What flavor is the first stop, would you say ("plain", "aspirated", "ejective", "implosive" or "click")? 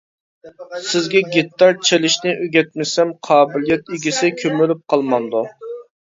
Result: plain